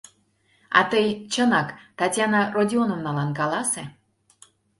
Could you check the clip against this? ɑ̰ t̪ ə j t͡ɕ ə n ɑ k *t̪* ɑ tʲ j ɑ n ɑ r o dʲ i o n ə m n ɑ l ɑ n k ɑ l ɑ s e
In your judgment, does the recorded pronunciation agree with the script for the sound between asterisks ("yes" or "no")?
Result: yes